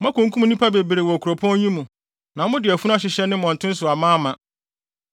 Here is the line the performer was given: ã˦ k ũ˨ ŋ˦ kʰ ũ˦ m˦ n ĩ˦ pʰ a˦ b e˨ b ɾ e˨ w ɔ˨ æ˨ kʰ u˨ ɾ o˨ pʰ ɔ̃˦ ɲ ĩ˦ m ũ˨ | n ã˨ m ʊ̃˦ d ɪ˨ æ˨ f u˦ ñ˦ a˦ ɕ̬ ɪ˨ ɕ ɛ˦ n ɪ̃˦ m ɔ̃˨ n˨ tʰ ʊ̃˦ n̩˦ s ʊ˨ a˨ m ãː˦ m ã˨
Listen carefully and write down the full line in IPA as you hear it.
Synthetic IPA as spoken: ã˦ k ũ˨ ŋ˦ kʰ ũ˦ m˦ n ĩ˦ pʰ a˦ b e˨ b ɾ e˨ w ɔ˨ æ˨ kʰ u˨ ɾ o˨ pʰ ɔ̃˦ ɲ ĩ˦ m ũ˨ | n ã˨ m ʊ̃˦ d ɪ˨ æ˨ f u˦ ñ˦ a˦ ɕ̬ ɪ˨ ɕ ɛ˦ n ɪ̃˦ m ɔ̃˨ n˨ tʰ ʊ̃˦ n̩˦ s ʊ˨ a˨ m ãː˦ m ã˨